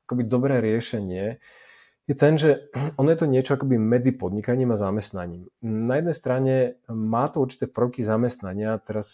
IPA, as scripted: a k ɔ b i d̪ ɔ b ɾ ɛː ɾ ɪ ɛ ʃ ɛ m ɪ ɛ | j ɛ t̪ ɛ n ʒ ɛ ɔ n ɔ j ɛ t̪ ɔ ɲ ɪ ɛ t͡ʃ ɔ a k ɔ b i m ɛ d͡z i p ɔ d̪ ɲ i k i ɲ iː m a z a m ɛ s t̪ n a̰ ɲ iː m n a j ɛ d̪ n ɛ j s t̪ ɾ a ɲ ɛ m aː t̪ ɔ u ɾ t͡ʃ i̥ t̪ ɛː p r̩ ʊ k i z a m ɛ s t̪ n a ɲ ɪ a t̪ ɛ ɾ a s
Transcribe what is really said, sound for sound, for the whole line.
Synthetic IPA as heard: a k ɔ b i d̪ ɔ b ɾ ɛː ɾ ɪ ɛ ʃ ɛ ɲ ɪ ɛ | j ɛ t̪ ɛ n ʒ ɛ ɔ n ɔ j ɛ t̪ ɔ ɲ ɪ ɛ t͡ʃ ɔ a k ɔ b i m ɛ d͡z i p ɔ d̪ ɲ i k a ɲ iː m a z a m ɛ s t̪ n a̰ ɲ iː m n a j ɛ d̪ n ɛ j s t̪ ɾ a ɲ ɛ m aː t̪ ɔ u ɾ t͡ʃ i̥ t̪ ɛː p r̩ ʊ k i z a m ɛ s t̪ n a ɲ ɪ a t̪ ɛ ɾ a s